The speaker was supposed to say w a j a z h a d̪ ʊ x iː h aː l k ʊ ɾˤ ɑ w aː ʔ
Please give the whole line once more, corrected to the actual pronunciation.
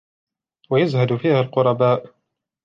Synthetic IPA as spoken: w a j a z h a d̪ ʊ f iː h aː l q ʊ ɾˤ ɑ b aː ʔ